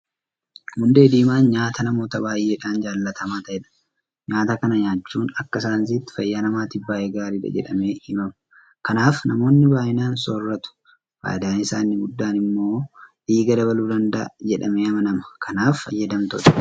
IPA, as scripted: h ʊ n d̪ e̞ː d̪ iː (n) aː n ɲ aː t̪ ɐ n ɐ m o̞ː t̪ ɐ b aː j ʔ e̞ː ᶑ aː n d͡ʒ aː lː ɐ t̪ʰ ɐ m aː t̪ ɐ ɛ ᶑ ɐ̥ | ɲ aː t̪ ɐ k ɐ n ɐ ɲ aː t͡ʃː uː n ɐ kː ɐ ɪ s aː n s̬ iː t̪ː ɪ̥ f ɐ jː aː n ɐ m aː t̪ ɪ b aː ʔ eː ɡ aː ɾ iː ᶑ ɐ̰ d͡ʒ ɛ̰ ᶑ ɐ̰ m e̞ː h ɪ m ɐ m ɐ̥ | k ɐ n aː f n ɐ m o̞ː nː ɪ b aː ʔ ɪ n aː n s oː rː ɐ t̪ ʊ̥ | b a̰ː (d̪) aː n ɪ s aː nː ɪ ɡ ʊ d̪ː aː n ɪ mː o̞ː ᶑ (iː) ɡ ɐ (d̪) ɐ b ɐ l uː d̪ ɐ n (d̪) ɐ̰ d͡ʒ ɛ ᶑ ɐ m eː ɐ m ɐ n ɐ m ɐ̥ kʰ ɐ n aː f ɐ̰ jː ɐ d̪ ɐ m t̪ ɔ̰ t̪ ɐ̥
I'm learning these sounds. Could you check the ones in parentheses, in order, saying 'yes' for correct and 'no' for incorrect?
no, yes, yes, yes, yes

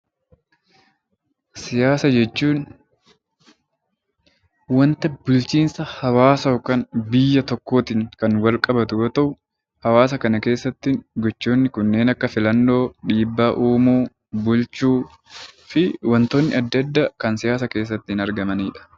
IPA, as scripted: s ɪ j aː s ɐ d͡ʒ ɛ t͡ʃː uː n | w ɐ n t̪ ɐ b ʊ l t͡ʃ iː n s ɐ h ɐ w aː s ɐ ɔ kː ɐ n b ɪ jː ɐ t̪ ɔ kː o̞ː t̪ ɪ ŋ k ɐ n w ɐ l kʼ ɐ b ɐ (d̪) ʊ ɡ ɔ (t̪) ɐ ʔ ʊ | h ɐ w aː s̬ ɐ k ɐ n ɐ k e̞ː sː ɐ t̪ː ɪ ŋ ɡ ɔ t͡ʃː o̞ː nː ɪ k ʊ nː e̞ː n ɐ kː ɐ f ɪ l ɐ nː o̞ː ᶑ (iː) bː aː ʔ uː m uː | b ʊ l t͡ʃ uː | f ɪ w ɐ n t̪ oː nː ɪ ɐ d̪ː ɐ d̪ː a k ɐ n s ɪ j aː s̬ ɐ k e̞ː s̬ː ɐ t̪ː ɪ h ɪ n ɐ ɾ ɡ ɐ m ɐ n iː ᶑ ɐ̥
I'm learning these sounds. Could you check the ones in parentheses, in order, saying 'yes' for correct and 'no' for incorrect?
no, yes, yes

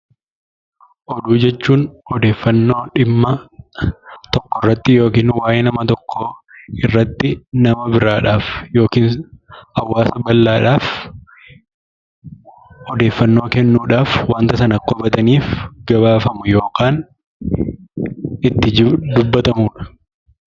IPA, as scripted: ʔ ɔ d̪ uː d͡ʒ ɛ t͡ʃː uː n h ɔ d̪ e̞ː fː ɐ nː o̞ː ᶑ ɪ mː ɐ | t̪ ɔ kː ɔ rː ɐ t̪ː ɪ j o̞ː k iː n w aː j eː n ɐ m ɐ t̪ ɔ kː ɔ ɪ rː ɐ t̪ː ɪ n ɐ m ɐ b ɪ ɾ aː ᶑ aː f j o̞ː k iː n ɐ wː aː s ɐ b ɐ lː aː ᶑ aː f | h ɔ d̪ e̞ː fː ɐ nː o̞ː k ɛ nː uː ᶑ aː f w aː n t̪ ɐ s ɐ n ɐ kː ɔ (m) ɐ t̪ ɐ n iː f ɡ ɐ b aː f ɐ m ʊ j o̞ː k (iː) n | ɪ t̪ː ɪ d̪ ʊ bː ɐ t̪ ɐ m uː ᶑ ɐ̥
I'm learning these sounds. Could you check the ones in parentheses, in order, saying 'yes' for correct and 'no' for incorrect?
no, no

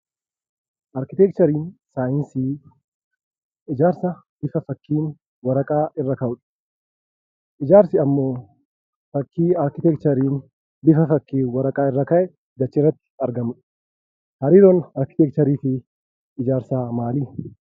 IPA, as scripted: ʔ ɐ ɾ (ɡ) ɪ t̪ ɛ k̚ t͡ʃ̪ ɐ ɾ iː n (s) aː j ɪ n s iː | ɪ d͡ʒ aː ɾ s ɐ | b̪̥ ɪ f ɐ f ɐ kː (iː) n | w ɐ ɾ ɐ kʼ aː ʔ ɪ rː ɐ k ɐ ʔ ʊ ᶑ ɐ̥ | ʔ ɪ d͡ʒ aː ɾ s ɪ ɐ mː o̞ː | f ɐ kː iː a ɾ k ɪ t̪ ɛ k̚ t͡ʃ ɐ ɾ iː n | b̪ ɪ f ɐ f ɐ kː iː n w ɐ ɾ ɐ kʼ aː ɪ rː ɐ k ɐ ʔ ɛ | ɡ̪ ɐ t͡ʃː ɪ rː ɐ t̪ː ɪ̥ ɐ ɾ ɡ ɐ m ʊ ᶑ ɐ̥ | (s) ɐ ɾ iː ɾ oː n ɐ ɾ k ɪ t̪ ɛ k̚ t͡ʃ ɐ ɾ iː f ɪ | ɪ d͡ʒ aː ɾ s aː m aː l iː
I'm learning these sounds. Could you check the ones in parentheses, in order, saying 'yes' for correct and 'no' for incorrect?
no, yes, yes, no

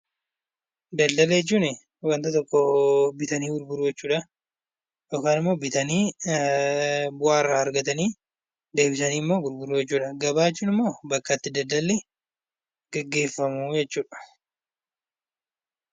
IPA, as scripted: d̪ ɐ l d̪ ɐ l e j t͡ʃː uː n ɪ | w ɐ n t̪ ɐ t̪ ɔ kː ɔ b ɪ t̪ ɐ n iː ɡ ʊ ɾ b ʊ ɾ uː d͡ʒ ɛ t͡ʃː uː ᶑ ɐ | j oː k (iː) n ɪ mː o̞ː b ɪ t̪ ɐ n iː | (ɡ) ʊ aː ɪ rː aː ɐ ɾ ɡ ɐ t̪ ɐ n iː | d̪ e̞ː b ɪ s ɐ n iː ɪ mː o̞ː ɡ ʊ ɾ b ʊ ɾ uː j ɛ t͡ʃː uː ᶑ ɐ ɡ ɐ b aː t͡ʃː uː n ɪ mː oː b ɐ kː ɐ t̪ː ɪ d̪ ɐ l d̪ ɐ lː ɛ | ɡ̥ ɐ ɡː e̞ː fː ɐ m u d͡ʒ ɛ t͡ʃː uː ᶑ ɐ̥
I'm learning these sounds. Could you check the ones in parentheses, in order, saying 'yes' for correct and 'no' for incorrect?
no, no

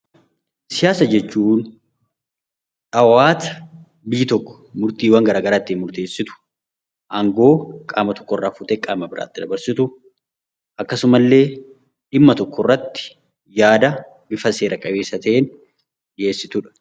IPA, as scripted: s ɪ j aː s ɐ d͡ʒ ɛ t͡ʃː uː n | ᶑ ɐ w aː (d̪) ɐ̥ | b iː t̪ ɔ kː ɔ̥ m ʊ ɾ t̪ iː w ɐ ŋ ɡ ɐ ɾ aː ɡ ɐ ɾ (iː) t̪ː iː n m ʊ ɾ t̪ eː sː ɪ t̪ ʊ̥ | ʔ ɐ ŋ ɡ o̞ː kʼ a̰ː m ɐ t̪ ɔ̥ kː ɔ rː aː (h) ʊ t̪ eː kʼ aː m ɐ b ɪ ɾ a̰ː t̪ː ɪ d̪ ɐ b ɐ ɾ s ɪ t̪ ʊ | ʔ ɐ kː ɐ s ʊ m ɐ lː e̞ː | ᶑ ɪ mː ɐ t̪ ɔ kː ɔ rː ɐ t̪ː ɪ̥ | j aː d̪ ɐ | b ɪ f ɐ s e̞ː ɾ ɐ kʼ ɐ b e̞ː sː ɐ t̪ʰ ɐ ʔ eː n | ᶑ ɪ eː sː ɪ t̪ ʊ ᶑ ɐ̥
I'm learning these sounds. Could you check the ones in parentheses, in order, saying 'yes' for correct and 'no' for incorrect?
no, no, no

